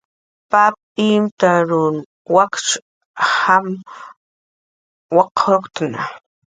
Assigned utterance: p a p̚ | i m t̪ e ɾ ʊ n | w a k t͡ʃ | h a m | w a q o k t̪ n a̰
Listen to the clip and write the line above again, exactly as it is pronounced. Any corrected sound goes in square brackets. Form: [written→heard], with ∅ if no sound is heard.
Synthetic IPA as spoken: p a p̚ | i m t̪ [e→a] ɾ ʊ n | w a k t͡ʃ | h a m | w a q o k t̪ n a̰

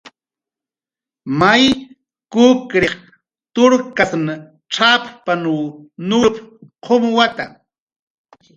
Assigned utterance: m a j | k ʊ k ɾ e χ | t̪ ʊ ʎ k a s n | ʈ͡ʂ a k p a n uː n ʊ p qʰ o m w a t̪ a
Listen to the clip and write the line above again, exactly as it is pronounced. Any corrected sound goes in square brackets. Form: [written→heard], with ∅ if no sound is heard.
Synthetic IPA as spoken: m a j | k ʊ k ɾ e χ | t̪ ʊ [ʎ→ɾ] k a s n | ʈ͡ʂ a [k→p] p a n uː n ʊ p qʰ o m w a t̪ a

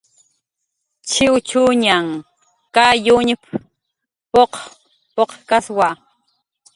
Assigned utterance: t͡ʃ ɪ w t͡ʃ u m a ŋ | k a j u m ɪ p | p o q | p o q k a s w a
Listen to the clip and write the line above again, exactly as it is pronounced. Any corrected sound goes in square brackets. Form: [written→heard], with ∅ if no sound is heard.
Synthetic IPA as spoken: t͡ʃ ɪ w t͡ʃ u [m→ɲ] a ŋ | k a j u [m→ɲ] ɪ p | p o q | p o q k a s w a

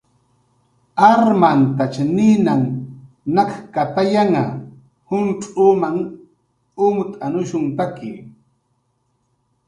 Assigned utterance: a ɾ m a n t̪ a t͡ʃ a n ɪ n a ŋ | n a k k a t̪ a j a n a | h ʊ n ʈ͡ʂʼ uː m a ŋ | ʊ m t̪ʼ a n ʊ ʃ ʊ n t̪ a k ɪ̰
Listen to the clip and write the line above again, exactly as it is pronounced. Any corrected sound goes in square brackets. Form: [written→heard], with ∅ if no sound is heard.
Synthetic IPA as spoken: a ɾ m a n t̪ a t͡ʃ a n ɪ n a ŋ | n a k k a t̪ a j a [n→ŋ] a | h ʊ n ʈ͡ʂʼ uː m a ŋ | ʊ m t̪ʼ a n ʊ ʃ ʊ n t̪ a k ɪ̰

